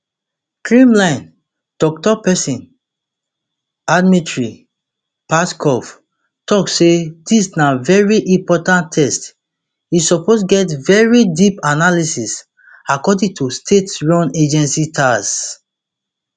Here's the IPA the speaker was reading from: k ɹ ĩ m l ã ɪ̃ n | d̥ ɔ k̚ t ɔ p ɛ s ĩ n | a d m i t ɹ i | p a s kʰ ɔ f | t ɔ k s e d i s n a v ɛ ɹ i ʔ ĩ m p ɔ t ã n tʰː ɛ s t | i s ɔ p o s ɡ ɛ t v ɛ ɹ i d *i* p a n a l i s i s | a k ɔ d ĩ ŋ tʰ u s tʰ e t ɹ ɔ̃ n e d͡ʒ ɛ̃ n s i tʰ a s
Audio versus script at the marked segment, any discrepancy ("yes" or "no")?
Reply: no